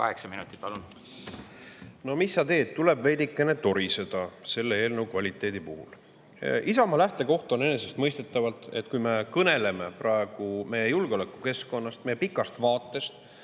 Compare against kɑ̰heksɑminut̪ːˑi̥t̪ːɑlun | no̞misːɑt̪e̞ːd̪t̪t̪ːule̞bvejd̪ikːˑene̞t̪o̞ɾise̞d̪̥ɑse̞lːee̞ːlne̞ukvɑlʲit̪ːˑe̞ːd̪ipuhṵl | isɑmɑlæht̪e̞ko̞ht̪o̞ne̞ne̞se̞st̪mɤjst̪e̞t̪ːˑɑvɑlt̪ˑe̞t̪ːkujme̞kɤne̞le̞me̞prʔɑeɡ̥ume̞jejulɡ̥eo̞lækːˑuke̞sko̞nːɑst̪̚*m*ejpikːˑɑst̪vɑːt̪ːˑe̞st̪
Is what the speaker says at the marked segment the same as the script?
yes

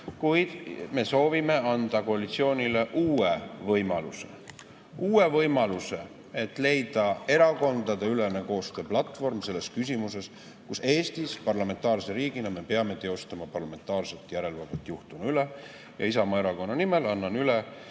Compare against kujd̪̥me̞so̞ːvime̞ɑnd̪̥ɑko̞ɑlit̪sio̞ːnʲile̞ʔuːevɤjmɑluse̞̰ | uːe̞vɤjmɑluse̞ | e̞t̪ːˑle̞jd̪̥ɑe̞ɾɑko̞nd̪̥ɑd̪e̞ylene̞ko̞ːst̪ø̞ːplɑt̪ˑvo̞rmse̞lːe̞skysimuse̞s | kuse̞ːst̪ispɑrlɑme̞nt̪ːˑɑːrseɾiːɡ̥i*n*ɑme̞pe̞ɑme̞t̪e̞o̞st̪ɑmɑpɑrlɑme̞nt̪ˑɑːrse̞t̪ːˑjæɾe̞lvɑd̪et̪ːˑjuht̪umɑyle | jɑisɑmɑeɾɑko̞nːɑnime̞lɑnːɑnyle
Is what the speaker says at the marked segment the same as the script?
yes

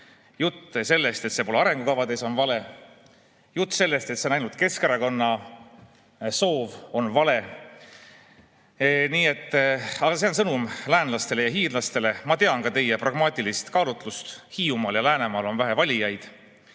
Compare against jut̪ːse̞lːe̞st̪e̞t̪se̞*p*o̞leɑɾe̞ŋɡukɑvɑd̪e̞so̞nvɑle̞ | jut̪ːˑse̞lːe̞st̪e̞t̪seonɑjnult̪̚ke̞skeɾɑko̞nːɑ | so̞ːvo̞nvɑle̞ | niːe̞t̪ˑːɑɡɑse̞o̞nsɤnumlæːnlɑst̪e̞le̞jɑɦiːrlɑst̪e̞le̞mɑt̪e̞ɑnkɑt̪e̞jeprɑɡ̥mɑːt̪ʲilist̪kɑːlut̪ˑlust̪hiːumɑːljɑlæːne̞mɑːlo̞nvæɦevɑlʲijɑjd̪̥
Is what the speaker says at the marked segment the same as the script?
yes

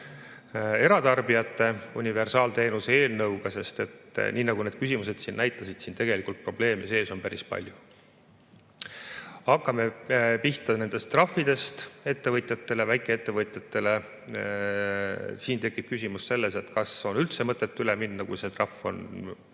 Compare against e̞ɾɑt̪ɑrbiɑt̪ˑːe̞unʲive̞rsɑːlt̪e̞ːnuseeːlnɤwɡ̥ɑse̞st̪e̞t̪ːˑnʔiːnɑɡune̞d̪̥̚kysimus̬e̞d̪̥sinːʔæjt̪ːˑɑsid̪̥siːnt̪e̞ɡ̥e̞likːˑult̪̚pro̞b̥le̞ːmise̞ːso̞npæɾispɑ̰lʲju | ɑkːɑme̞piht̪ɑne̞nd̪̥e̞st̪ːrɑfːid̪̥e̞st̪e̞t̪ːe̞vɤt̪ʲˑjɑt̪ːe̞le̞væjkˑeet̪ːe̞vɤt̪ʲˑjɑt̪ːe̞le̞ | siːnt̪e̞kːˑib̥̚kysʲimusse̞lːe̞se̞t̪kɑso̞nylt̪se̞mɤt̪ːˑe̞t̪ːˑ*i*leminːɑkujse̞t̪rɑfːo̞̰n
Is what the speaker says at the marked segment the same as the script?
no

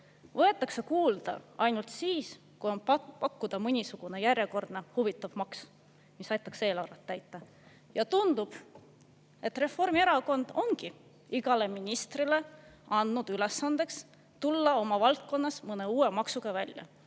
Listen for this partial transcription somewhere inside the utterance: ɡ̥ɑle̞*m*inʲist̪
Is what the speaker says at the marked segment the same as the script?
yes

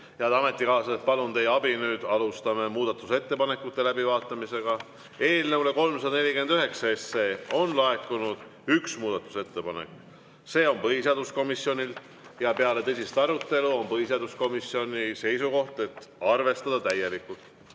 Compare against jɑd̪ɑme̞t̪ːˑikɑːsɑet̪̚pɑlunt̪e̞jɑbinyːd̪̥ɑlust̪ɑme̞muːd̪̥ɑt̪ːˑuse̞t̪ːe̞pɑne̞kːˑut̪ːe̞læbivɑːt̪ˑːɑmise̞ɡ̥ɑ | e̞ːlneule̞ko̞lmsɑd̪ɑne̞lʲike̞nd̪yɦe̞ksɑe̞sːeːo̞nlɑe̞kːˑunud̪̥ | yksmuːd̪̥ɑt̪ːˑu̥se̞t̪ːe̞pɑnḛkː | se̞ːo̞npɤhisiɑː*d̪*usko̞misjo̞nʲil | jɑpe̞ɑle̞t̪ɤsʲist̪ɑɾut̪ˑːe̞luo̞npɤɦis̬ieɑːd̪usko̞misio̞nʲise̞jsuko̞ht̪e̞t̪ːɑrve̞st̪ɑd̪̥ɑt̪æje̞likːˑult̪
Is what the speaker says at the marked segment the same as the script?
yes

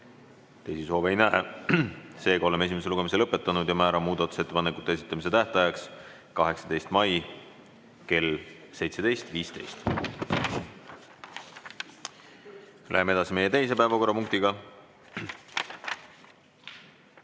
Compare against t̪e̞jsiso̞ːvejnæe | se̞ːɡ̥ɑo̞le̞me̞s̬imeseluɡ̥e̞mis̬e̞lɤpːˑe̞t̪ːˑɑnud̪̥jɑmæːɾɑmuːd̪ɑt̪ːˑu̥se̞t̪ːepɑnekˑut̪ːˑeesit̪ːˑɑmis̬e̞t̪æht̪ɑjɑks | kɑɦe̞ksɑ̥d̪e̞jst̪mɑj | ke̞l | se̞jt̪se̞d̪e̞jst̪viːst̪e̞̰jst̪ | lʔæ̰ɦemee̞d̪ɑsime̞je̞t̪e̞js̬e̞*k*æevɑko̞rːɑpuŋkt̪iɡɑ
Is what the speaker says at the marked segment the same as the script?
no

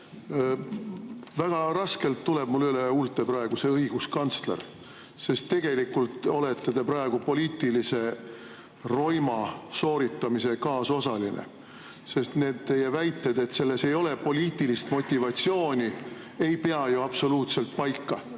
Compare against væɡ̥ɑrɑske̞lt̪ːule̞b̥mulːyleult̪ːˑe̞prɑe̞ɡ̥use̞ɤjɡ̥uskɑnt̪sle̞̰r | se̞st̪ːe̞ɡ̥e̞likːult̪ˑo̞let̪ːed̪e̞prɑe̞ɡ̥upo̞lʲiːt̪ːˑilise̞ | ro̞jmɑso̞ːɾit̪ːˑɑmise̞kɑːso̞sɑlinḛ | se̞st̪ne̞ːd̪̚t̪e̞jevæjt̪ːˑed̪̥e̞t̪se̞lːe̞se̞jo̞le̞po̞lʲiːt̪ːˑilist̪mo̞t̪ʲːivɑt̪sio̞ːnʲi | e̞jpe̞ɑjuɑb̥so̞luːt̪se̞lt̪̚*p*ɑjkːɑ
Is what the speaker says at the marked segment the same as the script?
yes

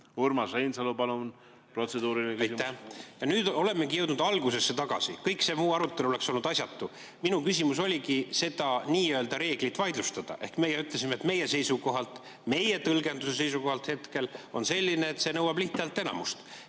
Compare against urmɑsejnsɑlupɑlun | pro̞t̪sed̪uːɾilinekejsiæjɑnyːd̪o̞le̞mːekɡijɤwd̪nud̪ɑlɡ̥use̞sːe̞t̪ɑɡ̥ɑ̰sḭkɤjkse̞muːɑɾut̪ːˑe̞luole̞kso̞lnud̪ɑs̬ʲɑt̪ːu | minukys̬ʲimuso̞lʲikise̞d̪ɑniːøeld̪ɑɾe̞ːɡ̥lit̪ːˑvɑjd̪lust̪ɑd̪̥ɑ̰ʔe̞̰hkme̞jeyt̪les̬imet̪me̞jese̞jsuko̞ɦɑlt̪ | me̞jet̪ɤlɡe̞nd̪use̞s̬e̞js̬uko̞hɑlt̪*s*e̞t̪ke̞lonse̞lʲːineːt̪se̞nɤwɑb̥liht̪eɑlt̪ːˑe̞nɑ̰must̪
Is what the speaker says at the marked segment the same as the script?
no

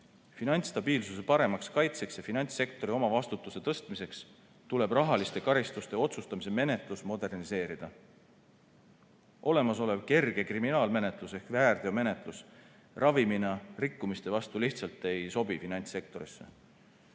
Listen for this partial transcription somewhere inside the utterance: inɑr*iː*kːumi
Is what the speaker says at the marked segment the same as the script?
no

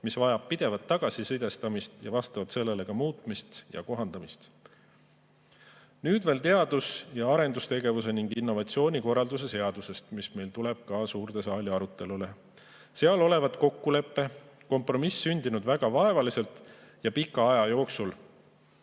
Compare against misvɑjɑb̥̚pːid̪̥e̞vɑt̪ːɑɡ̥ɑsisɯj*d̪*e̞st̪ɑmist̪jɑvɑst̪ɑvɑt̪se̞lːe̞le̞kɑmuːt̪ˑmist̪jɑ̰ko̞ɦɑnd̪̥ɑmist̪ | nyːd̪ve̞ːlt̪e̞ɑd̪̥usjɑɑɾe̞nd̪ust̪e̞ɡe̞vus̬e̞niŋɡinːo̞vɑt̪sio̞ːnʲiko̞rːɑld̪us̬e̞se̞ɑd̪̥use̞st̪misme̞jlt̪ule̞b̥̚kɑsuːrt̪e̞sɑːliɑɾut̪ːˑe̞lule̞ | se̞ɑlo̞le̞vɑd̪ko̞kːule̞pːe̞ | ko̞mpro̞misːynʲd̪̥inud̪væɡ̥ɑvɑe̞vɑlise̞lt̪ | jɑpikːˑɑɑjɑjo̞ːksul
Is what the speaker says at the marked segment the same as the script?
yes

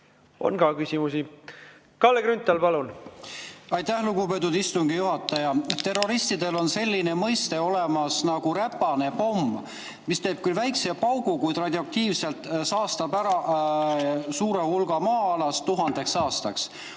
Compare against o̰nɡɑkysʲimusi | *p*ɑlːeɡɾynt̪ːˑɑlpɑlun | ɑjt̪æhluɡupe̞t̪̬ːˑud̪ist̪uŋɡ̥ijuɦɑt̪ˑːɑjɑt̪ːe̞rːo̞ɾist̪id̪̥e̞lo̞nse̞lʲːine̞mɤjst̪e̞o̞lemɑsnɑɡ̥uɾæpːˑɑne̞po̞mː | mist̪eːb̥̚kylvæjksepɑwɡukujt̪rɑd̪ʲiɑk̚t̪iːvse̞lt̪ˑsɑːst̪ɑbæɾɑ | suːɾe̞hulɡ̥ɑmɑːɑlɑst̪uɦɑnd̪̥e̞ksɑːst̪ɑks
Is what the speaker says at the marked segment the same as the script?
no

